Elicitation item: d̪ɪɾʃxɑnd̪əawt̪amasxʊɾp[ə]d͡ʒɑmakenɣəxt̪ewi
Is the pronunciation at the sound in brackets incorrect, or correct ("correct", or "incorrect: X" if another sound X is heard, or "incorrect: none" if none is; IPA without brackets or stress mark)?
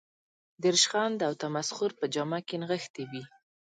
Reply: correct